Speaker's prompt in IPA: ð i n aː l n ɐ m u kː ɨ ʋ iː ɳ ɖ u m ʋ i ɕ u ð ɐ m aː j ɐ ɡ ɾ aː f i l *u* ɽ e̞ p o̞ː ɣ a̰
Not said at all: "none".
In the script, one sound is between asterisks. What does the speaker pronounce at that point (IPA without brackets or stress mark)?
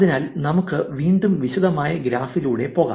uː